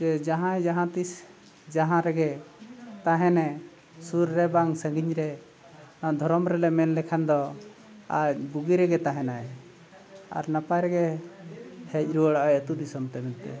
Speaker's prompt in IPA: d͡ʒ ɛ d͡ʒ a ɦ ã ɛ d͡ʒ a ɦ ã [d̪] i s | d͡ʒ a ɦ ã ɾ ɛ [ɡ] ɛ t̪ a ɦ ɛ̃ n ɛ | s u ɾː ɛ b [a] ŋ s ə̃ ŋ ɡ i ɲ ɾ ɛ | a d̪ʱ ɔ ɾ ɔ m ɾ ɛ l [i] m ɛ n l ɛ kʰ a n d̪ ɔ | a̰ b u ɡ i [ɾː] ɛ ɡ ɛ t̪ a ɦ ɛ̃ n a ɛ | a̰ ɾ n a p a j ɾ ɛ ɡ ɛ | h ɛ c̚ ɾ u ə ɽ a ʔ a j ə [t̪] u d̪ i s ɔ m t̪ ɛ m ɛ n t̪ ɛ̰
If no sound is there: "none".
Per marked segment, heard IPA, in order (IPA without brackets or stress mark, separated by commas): t̪, ɡ, a, ɛ, ɾ, t̪